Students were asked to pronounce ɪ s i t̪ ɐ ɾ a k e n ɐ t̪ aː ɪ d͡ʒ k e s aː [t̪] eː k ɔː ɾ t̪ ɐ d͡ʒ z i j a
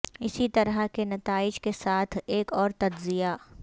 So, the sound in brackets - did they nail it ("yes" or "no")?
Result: no